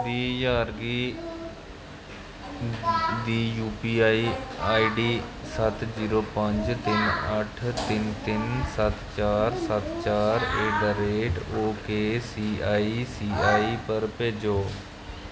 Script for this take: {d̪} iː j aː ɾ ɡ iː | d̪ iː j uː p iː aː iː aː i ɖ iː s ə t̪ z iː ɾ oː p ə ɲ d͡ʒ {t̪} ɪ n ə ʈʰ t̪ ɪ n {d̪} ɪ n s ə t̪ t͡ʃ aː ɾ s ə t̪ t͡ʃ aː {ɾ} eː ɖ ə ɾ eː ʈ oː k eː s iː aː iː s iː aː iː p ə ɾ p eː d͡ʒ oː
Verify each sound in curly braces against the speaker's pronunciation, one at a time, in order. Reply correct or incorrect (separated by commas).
correct, correct, incorrect, correct